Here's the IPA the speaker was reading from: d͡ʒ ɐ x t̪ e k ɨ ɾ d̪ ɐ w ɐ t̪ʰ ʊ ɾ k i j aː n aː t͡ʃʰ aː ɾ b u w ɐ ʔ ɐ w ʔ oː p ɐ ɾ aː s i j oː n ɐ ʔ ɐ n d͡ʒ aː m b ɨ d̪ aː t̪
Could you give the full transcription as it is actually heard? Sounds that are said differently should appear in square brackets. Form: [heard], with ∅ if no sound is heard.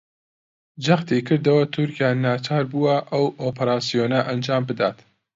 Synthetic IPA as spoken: d͡ʒ ɐ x t̪ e k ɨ ɾ d̪ ɐ w ɐ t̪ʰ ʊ ɾ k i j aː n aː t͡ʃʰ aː ɾ b u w ɐ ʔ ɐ w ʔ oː p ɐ ɾ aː s i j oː n ɐ ʔ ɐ n d͡ʒ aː m b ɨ d̪ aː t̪